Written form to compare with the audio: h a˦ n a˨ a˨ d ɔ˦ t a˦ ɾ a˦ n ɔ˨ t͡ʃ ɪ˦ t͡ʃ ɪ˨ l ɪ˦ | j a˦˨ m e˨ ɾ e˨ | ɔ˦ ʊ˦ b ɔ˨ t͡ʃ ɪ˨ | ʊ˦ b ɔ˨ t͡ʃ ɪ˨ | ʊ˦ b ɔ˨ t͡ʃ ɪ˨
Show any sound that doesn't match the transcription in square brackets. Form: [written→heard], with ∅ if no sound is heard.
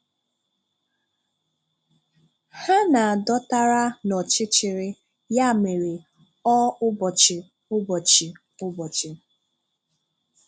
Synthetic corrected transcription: h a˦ n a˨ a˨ d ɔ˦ t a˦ ɾ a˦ n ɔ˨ t͡ʃ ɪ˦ t͡ʃ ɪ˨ [l→ɾ] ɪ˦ | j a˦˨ m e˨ ɾ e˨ | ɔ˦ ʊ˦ b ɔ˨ t͡ʃ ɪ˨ | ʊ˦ b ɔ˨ t͡ʃ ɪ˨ | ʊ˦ b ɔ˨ t͡ʃ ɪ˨

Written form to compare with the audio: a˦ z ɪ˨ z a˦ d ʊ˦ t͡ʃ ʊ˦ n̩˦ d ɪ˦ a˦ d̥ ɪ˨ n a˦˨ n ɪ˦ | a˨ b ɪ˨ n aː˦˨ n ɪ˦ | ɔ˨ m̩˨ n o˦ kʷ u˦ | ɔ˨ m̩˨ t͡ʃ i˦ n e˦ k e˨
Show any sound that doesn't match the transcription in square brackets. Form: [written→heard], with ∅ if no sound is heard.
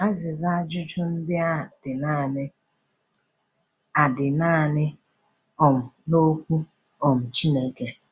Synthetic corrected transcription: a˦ z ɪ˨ z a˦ [d→d͡ʒ] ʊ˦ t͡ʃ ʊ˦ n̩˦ d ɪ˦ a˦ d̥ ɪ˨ n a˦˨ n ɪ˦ | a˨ [b→d] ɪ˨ n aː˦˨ n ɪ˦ | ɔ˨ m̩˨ n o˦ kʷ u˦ | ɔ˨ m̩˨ t͡ʃ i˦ n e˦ k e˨

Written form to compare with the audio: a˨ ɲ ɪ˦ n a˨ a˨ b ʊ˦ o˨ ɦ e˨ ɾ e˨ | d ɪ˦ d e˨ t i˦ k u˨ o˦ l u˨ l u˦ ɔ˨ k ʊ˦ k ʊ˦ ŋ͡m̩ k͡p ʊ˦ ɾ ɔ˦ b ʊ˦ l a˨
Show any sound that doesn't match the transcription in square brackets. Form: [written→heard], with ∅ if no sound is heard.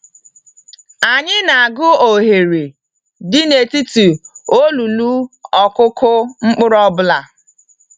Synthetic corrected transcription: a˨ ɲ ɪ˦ n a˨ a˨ [b→ɡ] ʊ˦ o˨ ɦ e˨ ɾ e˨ | d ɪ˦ [d→n] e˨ t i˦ [k→t] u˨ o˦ l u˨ l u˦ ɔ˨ k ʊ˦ k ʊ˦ ŋ͡m̩ k͡p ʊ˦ ɾ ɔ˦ b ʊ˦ l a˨

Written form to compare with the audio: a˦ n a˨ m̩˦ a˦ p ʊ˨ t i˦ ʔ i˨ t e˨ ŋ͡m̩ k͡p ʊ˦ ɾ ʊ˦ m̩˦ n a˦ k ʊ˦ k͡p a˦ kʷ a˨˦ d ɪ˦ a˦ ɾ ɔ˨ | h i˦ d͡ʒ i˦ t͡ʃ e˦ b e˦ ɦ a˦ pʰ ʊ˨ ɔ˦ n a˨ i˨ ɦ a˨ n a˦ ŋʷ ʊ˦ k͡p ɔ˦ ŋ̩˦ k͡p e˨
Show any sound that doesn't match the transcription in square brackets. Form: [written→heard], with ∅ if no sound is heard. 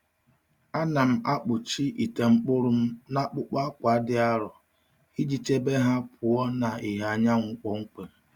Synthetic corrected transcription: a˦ n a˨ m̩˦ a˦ [p→k͡p] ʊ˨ [t→t͡ʃ] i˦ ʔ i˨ t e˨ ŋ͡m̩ k͡p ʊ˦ ɾ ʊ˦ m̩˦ n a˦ [k→k͡p] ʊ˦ k͡p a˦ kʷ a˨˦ d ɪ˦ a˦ ɾ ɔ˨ | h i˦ d͡ʒ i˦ t͡ʃ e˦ b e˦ ɦ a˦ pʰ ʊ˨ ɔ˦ n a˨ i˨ ɦ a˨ [n→ɲ] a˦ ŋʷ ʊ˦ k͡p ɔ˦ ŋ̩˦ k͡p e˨

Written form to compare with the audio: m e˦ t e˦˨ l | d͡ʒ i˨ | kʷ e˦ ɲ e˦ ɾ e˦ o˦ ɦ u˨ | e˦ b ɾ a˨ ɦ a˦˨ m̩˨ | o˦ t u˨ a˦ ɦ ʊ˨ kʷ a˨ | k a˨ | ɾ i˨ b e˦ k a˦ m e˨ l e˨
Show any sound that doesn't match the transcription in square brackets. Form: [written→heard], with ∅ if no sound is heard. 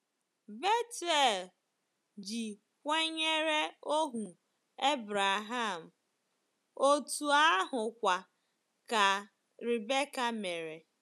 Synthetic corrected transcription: [m→b] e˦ t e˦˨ l | d͡ʒ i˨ | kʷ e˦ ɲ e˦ ɾ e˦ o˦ ɦ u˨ | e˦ b ɾ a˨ ɦ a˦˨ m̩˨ | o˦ t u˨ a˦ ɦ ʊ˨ kʷ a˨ | k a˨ | ɾ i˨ b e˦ k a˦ m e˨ [l→ɾ] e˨

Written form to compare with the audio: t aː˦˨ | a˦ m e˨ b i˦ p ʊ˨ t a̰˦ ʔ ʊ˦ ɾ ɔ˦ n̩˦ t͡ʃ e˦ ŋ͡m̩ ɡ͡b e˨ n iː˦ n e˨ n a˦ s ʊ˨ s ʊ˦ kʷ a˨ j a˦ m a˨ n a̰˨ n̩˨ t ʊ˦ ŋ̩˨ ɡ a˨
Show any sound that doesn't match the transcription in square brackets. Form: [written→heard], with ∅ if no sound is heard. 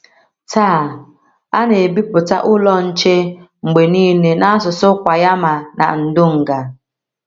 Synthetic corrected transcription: t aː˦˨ | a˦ [m→n] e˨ b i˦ p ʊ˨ t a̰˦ ʔ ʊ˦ [ɾ→l] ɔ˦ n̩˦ t͡ʃ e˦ ŋ͡m̩ ɡ͡b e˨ n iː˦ n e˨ n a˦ s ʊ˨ s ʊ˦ kʷ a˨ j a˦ m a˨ n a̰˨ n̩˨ [t→d] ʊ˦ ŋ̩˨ ɡ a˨

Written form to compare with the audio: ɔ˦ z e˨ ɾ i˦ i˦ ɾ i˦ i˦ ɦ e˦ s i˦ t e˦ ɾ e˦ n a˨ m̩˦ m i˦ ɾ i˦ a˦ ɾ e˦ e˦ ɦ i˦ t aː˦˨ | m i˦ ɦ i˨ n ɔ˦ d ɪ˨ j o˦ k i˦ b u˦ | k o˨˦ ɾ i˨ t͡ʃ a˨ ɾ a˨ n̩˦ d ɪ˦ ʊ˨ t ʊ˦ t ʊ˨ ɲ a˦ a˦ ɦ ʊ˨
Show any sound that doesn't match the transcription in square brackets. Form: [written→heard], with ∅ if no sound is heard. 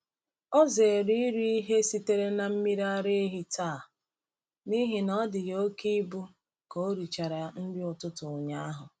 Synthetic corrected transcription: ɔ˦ z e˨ ɾ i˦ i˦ ɾ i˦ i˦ ɦ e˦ s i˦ t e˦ ɾ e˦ n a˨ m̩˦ m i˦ ɾ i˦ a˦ ɾ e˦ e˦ ɦ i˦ t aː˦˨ | [m→n] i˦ ɦ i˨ n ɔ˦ d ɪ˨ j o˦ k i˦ b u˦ | k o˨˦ ɾ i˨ t͡ʃ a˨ ɾ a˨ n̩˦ d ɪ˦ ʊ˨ t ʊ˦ t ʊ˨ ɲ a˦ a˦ ɦ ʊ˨

